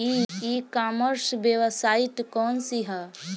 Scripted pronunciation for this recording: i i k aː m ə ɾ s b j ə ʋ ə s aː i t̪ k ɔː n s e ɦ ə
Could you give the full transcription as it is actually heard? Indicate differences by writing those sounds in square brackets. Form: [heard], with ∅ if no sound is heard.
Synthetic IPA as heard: i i k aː m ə ɾ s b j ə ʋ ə s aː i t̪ k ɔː n s [i] ɦ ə